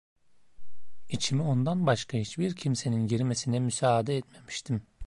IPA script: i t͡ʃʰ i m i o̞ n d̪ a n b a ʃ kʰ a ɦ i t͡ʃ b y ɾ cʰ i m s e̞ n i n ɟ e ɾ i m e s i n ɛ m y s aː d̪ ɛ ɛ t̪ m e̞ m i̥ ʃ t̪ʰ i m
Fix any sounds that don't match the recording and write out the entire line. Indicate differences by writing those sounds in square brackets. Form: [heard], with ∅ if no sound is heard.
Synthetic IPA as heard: i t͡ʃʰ i m i o̞ n d̪ a n b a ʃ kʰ a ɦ i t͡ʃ b [i] ɾ cʰ i m s e̞ n i n ɟ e ɾ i m e s i n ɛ m y s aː d̪ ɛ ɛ t̪ m e̞ m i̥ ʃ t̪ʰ i m